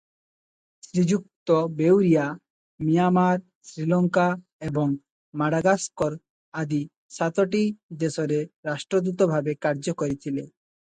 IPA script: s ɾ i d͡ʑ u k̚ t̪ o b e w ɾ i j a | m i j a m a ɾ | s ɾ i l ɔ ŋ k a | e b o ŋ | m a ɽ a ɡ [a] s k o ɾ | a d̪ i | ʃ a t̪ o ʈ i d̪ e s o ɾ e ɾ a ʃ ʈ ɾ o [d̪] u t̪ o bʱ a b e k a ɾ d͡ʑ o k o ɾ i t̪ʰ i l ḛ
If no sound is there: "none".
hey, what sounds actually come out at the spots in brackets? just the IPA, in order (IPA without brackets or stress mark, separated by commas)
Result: a, d̪